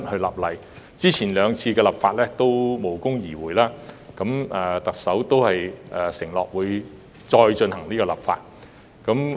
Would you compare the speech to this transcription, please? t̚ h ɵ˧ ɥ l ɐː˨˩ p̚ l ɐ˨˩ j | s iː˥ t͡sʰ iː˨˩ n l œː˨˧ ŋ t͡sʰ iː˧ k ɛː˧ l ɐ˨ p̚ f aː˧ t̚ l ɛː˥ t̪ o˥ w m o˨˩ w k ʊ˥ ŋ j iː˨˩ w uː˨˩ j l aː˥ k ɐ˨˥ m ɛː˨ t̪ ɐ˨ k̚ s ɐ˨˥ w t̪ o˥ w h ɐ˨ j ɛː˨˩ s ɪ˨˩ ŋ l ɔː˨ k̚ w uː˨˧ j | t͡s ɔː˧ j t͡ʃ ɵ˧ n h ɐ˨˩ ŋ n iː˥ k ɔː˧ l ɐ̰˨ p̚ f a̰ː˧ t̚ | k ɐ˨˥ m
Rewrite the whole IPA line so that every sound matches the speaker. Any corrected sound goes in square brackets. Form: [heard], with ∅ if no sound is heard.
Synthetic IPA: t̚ h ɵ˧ ɥ l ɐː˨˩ p̚ l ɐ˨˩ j | [t͡s] iː˥ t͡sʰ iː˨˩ n l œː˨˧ ŋ t͡sʰ iː˧ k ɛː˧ l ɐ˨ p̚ f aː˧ t̚ l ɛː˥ t̪ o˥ w m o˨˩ w k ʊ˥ ŋ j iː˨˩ w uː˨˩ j l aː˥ k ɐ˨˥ m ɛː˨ t̪ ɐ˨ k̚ s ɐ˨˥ w t̪ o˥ w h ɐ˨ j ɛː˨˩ s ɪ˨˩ ŋ l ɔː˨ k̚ w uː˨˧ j | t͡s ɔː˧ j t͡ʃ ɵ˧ n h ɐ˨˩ ŋ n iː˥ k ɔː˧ l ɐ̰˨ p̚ f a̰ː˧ t̚ | k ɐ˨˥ m

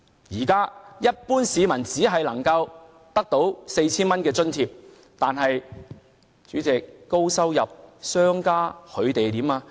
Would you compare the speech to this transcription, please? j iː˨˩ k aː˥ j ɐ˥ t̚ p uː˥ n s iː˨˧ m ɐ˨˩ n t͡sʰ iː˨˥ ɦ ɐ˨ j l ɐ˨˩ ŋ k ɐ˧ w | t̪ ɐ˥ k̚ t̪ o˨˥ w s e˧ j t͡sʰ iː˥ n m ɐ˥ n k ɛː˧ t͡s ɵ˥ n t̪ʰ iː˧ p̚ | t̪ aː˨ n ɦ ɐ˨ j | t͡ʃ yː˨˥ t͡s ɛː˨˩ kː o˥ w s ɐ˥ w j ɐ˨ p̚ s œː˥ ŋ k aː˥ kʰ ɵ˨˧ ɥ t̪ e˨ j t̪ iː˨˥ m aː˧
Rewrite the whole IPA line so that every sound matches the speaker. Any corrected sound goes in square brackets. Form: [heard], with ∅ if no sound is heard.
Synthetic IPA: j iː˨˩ k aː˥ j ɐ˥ t̚ p uː˥ n s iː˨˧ m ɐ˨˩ n [t͡s] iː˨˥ ɦ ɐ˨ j l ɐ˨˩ ŋ k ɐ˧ w | t̪ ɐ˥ k̚ t̪ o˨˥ w s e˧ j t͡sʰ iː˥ n m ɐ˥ n k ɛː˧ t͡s ɵ˥ n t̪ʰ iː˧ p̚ | t̪ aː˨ n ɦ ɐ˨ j | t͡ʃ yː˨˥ t͡s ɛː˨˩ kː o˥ w s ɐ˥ w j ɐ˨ p̚ s œː˥ ŋ k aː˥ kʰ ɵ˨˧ ɥ t̪ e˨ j t̪ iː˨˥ m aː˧

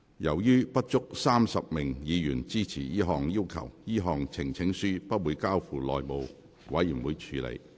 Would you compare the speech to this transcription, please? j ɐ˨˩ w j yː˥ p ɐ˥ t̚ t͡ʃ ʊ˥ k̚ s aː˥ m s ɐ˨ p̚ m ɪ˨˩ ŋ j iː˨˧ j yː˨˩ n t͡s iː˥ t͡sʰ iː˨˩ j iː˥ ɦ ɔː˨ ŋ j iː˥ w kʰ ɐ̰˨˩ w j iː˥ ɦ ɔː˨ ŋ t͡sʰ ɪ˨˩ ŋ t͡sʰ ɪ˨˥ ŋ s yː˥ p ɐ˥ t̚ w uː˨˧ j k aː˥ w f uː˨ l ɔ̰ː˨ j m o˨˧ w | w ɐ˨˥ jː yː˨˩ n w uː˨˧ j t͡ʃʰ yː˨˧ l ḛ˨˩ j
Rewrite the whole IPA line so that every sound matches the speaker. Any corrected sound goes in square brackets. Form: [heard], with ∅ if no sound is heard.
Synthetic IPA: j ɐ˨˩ w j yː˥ p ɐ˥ t̚ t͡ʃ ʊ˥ k̚ s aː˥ m s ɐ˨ p̚ m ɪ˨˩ ŋ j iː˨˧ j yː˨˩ n t͡s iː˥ t͡sʰ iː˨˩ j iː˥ ɦ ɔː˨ ŋ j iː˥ w kʰ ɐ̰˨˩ w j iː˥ ɦ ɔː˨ ŋ t͡sʰ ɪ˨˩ ŋ t͡sʰ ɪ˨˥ ŋ s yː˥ p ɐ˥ t̚ w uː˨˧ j k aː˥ w f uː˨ l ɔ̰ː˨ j m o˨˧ w | w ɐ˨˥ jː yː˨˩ n w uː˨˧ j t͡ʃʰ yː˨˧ l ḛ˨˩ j

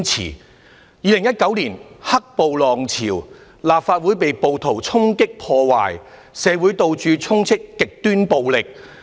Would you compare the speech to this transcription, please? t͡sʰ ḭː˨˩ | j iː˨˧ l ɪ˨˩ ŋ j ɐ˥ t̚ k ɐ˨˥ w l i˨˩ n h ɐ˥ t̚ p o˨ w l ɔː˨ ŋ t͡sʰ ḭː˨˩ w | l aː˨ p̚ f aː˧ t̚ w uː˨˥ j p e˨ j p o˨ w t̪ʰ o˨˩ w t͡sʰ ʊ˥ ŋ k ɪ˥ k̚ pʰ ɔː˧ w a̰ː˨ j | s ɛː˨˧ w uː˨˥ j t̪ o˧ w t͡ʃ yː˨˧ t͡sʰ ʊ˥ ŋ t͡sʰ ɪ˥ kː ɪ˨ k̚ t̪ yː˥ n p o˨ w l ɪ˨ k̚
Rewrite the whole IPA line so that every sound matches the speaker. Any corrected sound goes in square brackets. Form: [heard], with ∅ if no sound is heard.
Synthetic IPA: t͡sʰ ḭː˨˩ | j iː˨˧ l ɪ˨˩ ŋ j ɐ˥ t̚ k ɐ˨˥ w l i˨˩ n h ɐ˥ [k̚] p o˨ w l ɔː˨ ŋ t͡sʰ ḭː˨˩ w | l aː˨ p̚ f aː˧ t̚ w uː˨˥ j p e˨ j p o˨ w t̪ʰ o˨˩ w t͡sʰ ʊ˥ ŋ k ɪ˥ k̚ pʰ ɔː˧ w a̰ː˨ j | s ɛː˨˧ w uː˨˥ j t̪ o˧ w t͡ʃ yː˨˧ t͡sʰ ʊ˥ ŋ t͡sʰ ɪ˥ kː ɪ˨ k̚ t̪ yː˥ n p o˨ w l ɪ˨ k̚

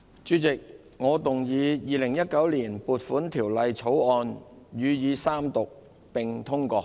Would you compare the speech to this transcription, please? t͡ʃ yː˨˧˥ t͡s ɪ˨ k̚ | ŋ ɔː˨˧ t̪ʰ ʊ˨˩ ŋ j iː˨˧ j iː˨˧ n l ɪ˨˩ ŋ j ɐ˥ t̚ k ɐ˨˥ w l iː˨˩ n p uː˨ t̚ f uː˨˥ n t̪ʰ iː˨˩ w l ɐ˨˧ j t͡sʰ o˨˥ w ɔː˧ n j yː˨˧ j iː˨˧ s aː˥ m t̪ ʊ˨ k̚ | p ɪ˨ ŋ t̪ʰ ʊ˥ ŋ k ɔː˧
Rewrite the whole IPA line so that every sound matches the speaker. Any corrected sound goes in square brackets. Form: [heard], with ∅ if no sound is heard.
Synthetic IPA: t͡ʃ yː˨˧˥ t͡s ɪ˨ k̚ | ŋ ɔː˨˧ [t̪] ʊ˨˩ ŋ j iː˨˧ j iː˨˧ [∅] l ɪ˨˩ ŋ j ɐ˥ t̚ k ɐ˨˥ w l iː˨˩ n p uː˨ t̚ f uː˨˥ n t̪ʰ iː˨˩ w l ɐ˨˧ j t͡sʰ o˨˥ w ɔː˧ n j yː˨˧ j iː˨˧ s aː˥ m t̪ ʊ˨ k̚ | p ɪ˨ ŋ t̪ʰ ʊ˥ ŋ k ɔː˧

